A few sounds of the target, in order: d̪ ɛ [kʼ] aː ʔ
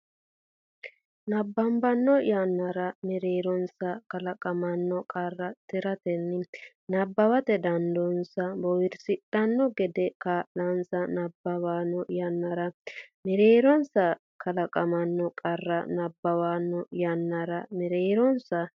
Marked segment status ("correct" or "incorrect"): incorrect